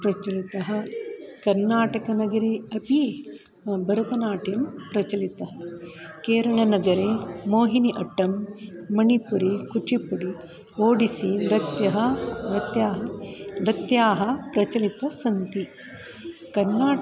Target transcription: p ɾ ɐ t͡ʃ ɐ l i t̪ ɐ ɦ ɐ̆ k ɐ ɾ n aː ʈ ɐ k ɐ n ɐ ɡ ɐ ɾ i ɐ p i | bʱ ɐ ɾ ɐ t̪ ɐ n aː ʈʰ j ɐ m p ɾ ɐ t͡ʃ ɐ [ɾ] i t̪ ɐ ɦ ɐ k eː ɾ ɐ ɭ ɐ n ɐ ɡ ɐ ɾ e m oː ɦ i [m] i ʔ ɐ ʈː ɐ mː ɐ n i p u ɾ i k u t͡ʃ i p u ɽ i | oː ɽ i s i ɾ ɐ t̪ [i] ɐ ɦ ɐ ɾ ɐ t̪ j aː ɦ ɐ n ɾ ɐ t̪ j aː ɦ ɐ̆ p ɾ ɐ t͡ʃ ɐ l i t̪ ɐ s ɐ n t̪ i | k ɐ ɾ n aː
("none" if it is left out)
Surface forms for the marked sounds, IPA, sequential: l, n, j

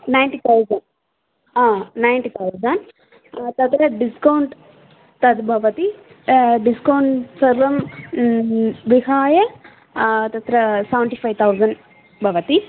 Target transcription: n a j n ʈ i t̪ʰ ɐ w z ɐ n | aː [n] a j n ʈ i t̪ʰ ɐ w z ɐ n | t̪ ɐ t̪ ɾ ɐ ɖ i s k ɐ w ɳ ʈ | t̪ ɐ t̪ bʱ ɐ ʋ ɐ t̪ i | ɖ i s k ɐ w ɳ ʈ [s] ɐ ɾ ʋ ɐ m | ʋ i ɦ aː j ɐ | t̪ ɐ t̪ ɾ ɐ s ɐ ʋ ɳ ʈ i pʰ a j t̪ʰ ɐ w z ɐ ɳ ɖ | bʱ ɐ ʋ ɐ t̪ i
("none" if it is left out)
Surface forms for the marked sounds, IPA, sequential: n, s

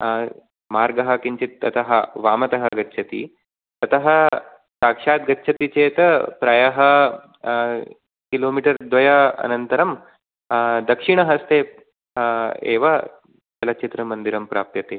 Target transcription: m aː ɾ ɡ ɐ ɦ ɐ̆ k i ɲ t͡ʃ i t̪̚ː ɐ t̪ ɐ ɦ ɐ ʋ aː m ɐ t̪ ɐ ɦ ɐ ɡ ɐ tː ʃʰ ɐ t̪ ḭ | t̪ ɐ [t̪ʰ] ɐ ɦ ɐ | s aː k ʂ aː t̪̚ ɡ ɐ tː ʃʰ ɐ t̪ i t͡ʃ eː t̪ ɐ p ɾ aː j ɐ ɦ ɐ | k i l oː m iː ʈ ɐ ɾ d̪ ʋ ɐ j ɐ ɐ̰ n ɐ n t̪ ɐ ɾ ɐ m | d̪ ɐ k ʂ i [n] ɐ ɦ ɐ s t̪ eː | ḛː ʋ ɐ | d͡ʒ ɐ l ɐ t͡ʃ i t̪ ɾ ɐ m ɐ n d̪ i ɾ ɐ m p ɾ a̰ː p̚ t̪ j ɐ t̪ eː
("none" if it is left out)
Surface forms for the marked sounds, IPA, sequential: t̪, ɳ

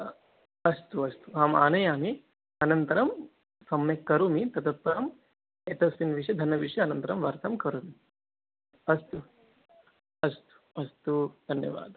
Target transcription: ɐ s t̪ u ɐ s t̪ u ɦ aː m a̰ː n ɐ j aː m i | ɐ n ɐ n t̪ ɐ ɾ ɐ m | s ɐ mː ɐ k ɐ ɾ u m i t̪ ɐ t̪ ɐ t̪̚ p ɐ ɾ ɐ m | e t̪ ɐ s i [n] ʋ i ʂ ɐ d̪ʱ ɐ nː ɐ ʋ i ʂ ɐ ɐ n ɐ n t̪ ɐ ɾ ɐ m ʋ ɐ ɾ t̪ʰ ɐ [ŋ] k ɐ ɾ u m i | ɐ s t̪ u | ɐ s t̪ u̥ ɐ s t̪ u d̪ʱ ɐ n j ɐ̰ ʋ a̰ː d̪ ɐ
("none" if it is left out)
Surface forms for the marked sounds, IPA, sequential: n, m

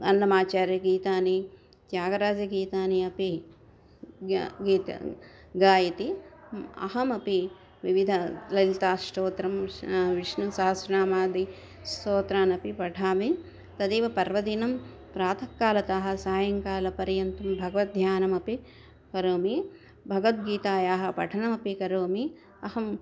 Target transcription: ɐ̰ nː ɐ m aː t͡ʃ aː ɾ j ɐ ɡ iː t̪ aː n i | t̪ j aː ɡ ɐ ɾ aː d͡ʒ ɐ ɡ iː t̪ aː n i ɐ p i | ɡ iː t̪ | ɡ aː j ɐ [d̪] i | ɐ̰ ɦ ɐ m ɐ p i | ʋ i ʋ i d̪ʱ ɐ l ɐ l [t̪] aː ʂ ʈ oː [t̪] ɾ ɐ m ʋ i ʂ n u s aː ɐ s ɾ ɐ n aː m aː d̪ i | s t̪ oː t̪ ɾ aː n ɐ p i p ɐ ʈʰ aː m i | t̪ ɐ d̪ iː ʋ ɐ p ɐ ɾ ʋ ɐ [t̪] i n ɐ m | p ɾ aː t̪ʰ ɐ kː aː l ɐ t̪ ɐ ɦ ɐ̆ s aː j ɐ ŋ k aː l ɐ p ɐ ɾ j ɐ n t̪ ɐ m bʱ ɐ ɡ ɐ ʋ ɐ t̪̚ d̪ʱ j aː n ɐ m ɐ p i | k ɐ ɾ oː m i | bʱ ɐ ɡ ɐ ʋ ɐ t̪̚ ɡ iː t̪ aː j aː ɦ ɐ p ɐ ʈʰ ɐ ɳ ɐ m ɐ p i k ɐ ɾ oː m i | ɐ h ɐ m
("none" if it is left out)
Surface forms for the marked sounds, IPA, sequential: t̪, t̪, t̪, d̪

